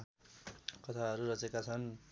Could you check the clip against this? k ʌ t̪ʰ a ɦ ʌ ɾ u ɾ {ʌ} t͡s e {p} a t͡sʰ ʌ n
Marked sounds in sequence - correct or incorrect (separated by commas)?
correct, incorrect